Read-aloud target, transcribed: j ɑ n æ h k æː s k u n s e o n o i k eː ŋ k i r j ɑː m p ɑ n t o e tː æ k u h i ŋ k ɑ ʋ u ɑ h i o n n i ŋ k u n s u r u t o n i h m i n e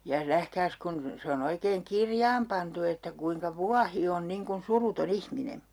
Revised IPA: j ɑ n æ h k æː s k u n s e o n o i k eː ŋ k i r j ɑː m p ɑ n t u e tː æ k u i ŋ k ɑ ʋ u ɑ h i o n n i ŋ k u n s u r u t o n i h m i n e